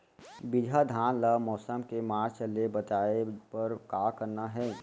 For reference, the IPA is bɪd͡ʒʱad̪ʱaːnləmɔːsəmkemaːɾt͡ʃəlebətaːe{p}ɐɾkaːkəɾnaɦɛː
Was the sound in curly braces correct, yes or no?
yes